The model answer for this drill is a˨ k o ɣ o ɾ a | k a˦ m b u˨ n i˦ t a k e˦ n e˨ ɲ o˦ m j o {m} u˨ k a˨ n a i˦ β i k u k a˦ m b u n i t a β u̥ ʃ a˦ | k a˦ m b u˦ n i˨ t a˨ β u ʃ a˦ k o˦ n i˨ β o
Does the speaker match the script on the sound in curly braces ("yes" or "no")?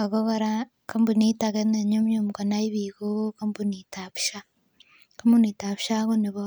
yes